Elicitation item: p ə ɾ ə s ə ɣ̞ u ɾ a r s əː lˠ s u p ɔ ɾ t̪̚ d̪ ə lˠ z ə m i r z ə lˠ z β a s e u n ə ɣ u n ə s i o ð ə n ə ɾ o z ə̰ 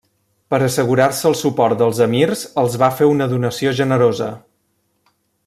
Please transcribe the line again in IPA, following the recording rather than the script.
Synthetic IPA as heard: p ə ɾ ə s ə ɣ̞ u ɾ a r s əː lˠ s u p ɔ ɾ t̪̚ d̪ ə lˠ z ə m i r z ə lˠ z β a f e u n ə ð u n ə s i o ʒ ə n ə ɾ o z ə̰